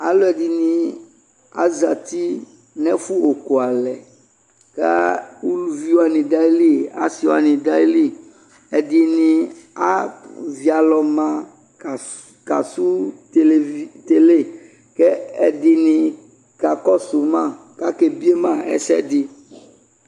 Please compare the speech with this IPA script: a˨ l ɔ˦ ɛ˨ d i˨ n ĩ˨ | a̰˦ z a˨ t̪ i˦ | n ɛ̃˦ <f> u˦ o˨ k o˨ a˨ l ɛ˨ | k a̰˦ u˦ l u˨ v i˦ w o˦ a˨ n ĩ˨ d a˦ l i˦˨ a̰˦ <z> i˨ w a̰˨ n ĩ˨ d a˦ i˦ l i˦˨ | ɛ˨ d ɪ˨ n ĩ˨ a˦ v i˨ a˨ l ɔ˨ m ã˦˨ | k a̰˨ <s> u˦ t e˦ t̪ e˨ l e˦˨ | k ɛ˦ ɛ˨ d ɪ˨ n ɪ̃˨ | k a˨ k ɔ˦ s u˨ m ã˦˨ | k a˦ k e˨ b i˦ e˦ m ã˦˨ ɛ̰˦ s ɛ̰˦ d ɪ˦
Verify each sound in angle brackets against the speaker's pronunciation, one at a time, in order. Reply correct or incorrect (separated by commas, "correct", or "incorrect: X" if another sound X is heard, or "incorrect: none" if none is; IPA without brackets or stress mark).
correct, incorrect: s, correct